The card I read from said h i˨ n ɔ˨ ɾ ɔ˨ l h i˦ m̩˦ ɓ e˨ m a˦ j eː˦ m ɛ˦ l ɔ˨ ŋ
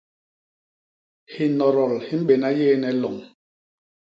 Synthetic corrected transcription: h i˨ n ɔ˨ ɾ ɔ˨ l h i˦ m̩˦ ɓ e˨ n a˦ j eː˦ n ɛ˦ l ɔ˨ ŋ